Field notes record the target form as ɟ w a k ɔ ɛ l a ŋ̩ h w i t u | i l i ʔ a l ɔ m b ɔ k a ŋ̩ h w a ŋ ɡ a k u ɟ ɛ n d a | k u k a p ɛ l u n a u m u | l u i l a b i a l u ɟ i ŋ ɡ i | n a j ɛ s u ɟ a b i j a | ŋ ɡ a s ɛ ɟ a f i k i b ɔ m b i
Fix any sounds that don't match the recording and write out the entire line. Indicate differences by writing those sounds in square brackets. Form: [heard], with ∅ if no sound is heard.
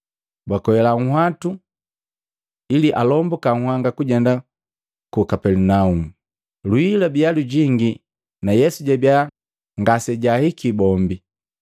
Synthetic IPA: [b] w a k ɔ ɛ l a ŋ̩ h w [a] t u | i l i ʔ a l ɔ m b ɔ k a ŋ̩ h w a ŋ ɡ a k u ɟ ɛ n d a | k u k a p ɛ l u n a u m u | l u i l a b i a l u ɟ i ŋ ɡ i | n a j ɛ s u ɟ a b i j a | ŋ ɡ a s ɛ ɟ a [h] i k i b ɔ m b i